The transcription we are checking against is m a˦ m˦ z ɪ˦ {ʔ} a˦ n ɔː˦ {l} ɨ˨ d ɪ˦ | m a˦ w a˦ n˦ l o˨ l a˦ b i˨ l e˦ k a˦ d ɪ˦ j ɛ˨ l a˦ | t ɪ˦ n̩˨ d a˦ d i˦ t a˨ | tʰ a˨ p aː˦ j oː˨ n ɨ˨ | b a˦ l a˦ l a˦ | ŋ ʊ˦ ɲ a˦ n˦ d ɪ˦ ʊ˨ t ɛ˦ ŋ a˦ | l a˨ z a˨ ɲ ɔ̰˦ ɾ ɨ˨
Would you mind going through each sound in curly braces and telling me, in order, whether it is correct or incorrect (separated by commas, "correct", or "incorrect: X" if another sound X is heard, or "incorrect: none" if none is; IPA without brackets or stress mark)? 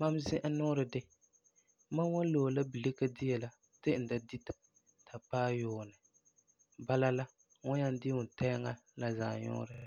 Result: correct, incorrect: ɾ